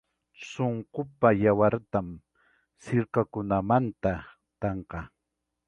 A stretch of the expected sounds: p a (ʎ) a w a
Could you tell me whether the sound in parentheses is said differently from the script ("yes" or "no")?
yes